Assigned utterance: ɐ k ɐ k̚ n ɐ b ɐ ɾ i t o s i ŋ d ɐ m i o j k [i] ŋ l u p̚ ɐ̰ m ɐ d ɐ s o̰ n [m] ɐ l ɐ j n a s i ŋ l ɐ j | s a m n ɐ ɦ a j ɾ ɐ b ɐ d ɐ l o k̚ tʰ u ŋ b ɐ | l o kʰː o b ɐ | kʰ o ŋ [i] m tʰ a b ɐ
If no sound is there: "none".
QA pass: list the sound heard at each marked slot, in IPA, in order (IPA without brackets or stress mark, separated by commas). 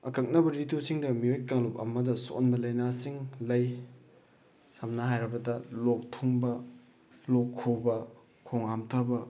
a, b, a